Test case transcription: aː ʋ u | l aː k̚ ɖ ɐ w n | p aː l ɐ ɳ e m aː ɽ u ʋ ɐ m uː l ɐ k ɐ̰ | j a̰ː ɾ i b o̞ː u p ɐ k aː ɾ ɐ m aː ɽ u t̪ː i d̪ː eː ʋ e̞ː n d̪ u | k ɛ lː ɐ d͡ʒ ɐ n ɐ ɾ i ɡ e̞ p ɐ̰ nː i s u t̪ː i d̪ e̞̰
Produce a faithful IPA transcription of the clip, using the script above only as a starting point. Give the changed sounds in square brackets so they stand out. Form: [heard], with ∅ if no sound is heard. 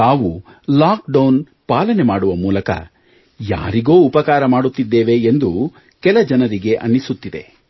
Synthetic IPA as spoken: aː ʋ u | l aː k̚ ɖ ɐ w n | p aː l ɐ [n] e m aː ɽ u ʋ ɐ m uː l ɐ k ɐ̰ | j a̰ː ɾ i [ɡ] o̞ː u p ɐ k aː ɾ ɐ m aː ɽ u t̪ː i d̪ː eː ʋ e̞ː n d̪ u | k ɛ [l] ɐ d͡ʒ ɐ n ɐ ɾ i ɡ e̞ [ʔ] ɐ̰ nː i s u t̪ː i d̪ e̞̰